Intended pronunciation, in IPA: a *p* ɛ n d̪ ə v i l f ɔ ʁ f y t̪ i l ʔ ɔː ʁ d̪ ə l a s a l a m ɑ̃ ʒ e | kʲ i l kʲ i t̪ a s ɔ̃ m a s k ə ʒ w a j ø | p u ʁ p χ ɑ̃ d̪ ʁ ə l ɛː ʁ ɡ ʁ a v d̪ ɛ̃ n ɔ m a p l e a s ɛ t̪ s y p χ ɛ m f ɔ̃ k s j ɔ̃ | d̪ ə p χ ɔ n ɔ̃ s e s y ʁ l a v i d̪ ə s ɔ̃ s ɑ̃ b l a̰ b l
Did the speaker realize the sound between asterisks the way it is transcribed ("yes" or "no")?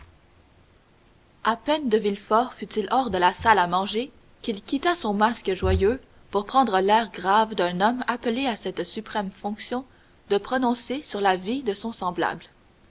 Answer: yes